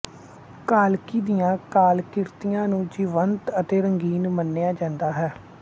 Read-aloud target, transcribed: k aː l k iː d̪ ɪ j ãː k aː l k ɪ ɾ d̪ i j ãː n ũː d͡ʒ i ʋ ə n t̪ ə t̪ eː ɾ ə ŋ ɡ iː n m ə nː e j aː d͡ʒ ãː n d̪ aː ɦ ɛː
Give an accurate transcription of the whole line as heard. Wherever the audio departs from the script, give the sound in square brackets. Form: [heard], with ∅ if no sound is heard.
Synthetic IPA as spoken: k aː l k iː d̪ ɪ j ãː k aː l k ɪ ɾ [t̪] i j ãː n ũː d͡ʒ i ʋ ə n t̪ ə t̪ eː ɾ ə ŋ ɡ iː n m ə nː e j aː d͡ʒ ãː n d̪ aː ɦ ɛː

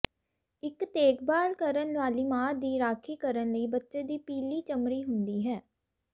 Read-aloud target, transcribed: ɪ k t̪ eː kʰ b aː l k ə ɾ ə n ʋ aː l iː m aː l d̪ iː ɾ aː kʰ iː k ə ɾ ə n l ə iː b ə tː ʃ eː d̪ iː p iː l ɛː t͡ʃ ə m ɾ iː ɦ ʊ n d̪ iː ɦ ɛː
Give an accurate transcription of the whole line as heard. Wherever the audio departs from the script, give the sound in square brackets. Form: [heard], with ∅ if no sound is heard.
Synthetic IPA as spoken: ɪ k t̪ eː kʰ b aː l k ə ɾ ə n ʋ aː l iː m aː [∅] d̪ iː ɾ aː kʰ iː k ə ɾ ə n l ə iː b ə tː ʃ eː d̪ iː p iː l [iː] t͡ʃ ə m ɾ iː ɦ ʊ n d̪ iː ɦ ɛː

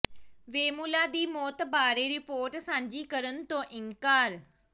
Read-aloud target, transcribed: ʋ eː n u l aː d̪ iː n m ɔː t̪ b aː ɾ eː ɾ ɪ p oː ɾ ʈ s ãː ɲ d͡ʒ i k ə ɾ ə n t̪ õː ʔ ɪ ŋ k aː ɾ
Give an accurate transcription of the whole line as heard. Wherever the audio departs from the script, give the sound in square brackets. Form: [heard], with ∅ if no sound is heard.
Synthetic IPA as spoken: ʋ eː [m] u l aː d̪ iː [∅] m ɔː t̪ b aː ɾ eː ɾ ɪ p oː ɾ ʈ s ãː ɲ d͡ʒ [iː] k ə ɾ ə n t̪ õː ʔ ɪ ŋ k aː ɾ

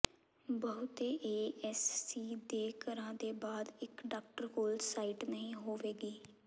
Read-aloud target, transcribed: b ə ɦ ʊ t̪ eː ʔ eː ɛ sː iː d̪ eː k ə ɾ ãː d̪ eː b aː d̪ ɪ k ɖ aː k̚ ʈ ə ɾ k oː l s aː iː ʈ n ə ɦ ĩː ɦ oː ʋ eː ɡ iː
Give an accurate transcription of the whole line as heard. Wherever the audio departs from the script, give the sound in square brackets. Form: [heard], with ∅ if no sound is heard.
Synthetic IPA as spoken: b ə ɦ ʊ t̪ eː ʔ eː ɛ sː iː d̪ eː k ə ɾ ãː d̪ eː b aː d̪ ɪ k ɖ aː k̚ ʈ ə ɾ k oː l s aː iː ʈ n ə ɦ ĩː ɦ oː ʋ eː ɡ iː

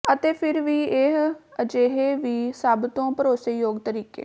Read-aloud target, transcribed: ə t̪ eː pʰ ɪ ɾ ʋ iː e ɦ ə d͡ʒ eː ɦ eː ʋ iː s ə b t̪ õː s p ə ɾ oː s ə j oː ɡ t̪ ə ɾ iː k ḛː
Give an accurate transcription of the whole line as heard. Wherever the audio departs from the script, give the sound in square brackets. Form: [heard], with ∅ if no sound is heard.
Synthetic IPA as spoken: ə t̪ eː pʰ ɪ ɾ ʋ iː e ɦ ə d͡ʒ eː ɦ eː ʋ iː s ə b t̪ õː [∅] p ə ɾ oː s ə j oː ɡ t̪ ə ɾ iː k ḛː

